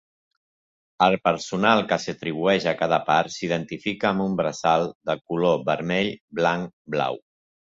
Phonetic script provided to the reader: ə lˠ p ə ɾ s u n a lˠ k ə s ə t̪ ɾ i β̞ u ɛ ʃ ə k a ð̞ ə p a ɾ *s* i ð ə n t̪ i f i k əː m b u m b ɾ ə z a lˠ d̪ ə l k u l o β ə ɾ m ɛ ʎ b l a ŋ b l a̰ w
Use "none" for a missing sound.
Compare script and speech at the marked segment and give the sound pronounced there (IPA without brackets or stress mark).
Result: s